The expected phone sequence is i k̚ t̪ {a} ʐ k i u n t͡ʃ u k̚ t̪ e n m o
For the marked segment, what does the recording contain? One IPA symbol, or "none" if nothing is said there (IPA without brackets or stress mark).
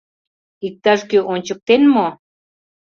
a